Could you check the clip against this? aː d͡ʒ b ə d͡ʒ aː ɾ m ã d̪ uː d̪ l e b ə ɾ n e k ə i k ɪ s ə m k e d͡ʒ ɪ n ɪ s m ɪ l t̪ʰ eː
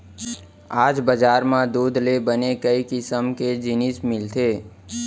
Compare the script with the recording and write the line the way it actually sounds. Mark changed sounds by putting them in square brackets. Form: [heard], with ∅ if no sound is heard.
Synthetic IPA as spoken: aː d͡ʒ b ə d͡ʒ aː ɾ m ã d̪ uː d̪ l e b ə [∅] n e k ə i k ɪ s ə m k e d͡ʒ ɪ n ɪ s m ɪ l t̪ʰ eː